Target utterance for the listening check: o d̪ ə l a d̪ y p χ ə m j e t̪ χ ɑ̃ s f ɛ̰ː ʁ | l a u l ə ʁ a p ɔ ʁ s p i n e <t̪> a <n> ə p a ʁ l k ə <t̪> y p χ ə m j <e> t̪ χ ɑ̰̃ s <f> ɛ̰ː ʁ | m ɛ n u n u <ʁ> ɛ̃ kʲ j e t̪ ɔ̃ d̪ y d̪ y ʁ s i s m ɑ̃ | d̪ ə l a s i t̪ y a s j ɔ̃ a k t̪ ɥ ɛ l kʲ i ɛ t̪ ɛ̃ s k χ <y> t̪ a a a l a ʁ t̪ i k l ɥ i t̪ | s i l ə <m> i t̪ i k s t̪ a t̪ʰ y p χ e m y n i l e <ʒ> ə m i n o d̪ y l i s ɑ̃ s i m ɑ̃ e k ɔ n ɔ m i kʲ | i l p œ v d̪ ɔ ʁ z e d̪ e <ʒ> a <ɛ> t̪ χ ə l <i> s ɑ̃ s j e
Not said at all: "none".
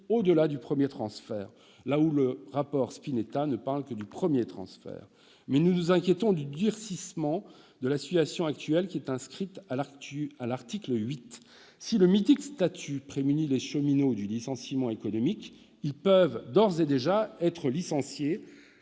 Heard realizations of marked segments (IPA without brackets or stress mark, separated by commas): t̪, n, d̪, e, f, z, i, m, ʃ, ʒ, ɛ, i